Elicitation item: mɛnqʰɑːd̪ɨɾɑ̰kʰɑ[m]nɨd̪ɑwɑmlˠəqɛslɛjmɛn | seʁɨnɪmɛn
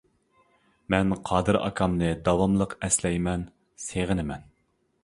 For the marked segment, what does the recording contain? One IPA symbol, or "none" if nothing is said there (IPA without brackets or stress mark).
m